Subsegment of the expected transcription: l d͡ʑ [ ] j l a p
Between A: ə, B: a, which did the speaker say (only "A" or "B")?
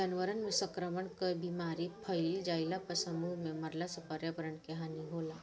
B